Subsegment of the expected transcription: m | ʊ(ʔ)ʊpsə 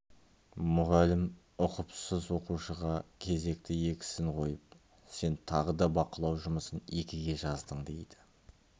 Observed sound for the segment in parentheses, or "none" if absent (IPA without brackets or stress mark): q